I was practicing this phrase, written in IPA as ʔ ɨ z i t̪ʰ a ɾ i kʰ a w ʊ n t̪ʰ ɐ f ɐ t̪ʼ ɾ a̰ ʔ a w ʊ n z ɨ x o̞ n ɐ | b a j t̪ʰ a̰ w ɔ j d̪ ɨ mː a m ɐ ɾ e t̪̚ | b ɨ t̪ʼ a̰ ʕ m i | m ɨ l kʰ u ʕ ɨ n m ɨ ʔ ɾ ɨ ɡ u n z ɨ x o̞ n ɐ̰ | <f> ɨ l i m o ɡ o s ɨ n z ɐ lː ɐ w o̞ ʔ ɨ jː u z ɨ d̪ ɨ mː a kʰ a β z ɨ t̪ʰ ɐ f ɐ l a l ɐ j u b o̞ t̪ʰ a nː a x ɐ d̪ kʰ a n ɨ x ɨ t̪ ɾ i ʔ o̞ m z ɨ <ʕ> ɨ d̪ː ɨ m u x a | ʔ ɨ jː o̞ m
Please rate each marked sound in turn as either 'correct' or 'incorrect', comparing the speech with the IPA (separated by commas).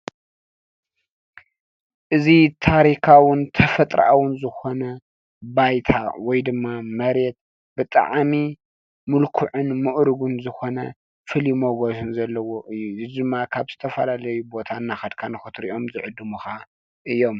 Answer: correct, correct